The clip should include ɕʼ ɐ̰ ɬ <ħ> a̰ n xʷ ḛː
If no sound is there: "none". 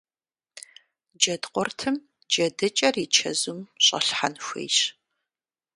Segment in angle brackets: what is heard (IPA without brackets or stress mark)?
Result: ħ